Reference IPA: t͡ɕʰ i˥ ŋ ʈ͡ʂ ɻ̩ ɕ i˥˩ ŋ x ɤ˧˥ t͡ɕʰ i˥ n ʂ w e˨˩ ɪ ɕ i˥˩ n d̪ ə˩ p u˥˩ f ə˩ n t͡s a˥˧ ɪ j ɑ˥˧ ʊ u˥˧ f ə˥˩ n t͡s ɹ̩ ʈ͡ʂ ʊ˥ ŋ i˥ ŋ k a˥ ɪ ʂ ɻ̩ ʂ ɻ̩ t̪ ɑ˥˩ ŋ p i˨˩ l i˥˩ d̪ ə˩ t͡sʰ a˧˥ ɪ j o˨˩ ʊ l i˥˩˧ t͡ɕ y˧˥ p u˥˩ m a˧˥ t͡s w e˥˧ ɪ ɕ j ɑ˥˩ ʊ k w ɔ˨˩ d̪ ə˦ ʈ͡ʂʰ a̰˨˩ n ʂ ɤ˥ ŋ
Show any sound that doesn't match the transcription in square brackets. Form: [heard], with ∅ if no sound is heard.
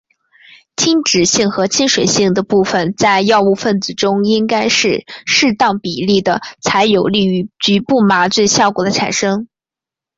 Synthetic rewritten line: t͡ɕʰ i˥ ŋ ʈ͡ʂ ɻ̩ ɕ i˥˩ ŋ x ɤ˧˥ t͡ɕʰ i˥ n ʂ w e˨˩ ɪ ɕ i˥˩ [ŋ] d̪ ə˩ p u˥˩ f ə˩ n t͡s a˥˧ ɪ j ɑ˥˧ ʊ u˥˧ f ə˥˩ n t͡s ɹ̩ ʈ͡ʂ ʊ˥ ŋ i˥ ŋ k a˥ ɪ ʂ ɻ̩ ʂ ɻ̩ t̪ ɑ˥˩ ŋ p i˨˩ l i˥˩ d̪ ə˩ t͡sʰ a˧˥ ɪ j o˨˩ ʊ l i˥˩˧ t͡ɕ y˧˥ p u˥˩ m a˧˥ t͡s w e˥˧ ɪ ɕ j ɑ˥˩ ʊ k w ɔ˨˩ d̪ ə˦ ʈ͡ʂʰ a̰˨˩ n ʂ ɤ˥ ŋ